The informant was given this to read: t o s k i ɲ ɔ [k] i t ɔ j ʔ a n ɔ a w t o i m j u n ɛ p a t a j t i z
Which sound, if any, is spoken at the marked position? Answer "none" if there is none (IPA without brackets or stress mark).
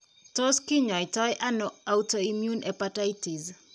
none